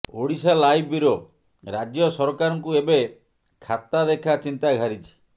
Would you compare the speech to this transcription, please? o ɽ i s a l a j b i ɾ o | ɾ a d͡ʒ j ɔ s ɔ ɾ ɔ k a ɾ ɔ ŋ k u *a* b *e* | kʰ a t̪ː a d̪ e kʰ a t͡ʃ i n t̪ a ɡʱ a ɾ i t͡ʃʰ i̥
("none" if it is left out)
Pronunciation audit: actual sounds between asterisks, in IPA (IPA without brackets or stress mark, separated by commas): e, e